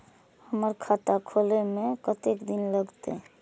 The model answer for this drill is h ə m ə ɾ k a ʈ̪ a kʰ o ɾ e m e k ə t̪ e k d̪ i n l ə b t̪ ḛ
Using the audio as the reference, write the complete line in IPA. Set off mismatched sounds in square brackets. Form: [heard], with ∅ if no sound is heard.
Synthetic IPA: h ə m ə ɾ [kʰ] a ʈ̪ a kʰ o [l] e m e k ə t̪ e k d̪ i n l ə [ɡ] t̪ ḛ